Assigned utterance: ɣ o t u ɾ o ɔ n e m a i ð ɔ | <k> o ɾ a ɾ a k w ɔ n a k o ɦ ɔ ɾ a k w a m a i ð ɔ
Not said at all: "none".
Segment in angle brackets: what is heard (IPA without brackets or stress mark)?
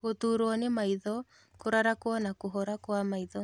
k